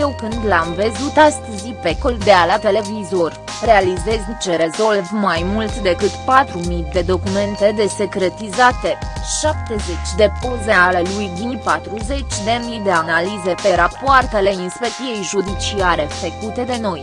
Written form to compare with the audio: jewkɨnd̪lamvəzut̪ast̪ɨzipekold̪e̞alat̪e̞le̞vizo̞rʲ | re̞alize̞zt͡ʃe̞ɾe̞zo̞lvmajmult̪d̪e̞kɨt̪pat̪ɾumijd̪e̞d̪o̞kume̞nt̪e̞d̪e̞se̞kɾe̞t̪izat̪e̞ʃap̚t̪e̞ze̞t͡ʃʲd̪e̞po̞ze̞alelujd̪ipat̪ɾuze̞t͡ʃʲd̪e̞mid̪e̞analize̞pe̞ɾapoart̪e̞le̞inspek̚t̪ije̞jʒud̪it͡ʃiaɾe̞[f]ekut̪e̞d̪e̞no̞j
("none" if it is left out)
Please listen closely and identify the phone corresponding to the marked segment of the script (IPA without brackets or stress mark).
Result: f